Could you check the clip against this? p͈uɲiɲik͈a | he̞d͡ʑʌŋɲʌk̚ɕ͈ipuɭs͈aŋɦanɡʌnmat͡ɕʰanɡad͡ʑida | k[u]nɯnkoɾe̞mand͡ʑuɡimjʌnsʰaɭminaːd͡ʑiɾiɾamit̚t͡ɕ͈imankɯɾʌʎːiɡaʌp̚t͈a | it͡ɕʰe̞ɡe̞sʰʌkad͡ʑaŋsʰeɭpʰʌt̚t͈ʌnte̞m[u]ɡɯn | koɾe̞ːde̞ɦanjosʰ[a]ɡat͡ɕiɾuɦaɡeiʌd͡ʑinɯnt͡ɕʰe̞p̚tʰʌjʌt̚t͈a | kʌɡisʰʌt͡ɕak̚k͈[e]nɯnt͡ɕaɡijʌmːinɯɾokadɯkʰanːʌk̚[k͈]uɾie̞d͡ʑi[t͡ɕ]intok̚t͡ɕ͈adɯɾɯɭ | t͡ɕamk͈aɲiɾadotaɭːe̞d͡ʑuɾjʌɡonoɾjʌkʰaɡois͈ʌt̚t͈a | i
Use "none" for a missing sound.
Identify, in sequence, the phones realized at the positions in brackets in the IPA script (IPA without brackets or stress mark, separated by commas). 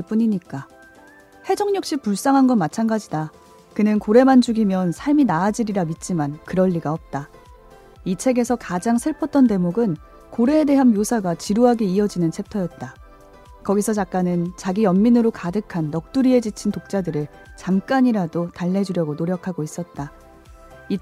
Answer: ɯ, o, a, a, t͈, t͡ɕʰ